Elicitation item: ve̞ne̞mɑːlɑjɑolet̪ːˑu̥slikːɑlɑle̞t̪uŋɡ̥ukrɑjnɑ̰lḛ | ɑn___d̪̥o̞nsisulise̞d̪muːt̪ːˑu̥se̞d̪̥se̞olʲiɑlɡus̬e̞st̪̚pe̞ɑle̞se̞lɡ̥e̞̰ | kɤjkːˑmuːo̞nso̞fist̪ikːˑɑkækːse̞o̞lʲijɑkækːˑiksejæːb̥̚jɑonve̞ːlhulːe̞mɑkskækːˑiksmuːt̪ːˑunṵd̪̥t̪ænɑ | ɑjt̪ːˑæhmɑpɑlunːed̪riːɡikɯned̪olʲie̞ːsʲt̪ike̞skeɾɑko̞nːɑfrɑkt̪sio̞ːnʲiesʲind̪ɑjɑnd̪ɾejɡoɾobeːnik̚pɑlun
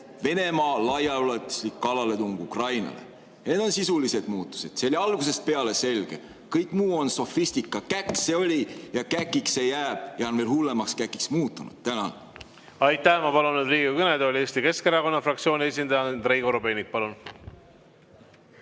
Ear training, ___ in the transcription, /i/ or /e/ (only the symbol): e